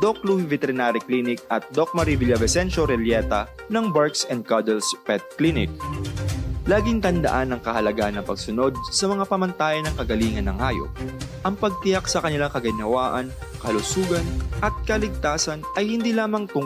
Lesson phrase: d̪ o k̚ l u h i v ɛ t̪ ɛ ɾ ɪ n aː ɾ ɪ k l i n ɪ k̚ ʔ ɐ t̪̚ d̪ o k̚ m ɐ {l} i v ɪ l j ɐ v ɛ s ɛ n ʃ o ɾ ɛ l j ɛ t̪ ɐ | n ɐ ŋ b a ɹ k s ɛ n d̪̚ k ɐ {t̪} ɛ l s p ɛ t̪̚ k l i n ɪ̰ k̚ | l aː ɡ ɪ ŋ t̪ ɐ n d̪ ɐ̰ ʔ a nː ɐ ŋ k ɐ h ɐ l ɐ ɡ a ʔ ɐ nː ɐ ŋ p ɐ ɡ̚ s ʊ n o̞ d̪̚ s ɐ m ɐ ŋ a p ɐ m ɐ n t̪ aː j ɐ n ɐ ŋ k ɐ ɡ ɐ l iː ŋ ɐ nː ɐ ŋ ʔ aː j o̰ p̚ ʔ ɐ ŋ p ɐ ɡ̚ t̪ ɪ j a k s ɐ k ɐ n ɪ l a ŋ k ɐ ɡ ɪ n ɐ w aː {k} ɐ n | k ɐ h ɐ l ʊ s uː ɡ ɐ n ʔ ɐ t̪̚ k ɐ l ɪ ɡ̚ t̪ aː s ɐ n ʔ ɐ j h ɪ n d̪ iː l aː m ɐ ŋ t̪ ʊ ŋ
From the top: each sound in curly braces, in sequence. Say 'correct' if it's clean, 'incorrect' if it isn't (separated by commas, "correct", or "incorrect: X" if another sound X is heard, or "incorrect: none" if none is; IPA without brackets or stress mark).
incorrect: ɾ, incorrect: d̪, incorrect: ʔ